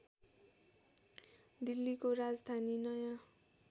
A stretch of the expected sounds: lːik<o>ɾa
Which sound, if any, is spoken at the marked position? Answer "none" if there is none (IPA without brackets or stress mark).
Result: o